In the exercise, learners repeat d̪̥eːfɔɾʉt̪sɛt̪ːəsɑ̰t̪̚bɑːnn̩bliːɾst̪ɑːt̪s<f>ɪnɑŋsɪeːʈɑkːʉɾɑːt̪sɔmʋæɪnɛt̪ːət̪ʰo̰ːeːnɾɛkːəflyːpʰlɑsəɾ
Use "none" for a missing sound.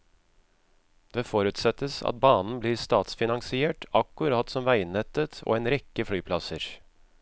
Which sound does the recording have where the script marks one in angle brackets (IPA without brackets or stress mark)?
f